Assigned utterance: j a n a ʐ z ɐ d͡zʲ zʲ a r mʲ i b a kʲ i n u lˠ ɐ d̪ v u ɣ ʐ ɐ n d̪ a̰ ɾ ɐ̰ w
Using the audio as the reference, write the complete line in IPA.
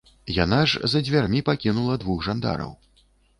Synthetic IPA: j a n a ʐ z ɐ d͡zʲ vʲ a r mʲ i p a kʲ i n u lˠ ɐ d̪ v u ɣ ʐ a n d̪ a̰ ɾ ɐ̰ w